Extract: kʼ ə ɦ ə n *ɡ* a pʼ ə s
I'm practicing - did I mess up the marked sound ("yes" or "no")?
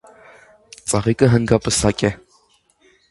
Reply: no